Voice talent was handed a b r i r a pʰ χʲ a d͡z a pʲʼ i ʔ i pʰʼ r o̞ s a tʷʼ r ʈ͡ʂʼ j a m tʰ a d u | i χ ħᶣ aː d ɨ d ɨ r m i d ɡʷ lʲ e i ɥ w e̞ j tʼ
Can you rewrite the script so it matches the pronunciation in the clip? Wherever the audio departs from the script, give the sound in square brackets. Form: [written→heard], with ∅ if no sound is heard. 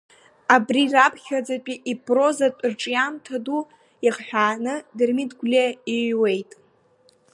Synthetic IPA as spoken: a b r i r a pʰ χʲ a d͡z a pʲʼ i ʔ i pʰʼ r o̞ [s→z] a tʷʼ r ʈ͡ʂʼ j a m tʰ a d u | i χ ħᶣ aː [d→n] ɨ d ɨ r m i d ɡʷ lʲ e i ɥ w e̞ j tʼ

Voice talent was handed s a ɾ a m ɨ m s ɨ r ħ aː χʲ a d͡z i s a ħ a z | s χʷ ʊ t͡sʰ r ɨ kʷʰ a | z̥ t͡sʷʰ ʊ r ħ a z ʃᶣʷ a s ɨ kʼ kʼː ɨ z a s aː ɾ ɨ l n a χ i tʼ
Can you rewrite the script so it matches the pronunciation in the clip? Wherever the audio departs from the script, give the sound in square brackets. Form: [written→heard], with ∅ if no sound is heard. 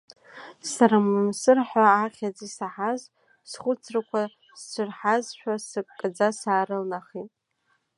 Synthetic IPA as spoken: s a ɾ a m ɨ m s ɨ r ħ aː χʲ a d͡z i s a ħ a z | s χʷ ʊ t͡sʰ r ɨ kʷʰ a | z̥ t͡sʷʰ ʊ r ħ a z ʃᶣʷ a s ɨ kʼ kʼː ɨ [z→d͡z] a s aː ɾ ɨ l n a χ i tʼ

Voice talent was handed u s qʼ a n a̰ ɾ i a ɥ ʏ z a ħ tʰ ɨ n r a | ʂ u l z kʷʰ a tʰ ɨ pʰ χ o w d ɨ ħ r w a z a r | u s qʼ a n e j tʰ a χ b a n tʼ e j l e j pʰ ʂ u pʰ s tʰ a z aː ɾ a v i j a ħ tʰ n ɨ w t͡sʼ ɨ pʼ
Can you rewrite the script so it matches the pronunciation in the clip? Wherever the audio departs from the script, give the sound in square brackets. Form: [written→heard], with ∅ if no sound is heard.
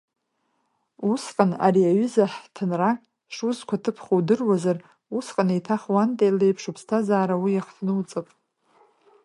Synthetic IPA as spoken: u s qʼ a n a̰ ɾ i a ɥ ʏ z a ħ tʰ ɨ n r a | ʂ u [l→∅] z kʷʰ a tʰ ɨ pʰ χ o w d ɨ [ħ→∅] r w a z a r | u s qʼ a n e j tʰ a χ [b→w] a n tʼ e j l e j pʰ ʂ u pʰ s tʰ a z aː ɾ a [v→w] i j a [ħ→χ] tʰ n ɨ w t͡sʼ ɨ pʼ

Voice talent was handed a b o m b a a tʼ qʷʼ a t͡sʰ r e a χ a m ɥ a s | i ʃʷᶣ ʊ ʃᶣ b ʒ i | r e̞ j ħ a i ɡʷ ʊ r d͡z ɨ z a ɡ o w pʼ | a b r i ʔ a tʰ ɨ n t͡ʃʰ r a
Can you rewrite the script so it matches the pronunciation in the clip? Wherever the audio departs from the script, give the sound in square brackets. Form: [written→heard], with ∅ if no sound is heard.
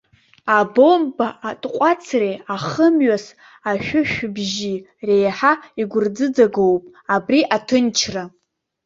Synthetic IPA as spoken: a b o m b a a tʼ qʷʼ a t͡sʰ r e a χ [a→ə] m ɥ a s | [i→a] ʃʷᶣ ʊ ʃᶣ b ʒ i | r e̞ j ħ a i ɡʷ ʊ r d͡z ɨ [z→d͡z] a ɡ o w pʼ | a b r i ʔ a tʰ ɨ n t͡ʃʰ r a

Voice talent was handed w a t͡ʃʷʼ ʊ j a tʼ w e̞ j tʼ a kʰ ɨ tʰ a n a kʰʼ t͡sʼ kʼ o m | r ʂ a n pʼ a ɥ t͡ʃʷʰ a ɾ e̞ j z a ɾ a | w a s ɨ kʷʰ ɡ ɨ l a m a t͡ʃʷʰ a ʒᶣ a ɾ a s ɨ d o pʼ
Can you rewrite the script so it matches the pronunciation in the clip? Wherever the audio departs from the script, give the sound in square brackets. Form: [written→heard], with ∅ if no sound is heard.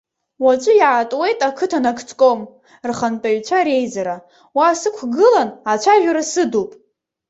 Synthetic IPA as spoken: w a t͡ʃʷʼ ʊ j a tʼ w e̞ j tʼ a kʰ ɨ tʰ a n a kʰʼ t͡sʼ kʼ o m | r [ʂ→χ] a n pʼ a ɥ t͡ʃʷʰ a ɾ e̞ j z a ɾ a | w a s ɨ kʷʰ ɡ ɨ l a [m→n] a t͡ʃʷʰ a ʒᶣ a ɾ a s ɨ d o pʼ

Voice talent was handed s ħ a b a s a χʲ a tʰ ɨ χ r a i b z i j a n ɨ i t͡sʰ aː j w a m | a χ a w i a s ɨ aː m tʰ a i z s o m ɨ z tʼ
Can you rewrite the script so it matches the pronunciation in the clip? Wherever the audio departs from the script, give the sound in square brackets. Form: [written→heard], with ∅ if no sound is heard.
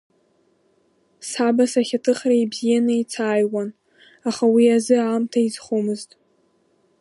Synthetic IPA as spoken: s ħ a b a s a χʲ a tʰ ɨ χ r a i b z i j a n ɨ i t͡sʰ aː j w a [m→n] | a χ a w i a [s→z] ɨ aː m tʰ a i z [s→χ] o m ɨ z tʼ

